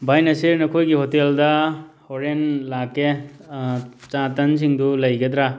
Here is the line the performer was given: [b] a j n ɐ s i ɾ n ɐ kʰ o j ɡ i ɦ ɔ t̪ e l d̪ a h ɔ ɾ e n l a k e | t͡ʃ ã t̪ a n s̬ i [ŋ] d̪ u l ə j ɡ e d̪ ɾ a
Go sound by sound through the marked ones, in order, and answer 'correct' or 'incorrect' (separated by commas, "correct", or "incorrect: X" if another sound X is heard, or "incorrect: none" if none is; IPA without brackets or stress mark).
correct, correct